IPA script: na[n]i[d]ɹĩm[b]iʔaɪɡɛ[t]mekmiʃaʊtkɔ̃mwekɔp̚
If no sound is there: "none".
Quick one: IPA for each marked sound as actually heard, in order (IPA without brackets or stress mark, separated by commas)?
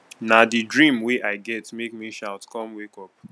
d, d, w, t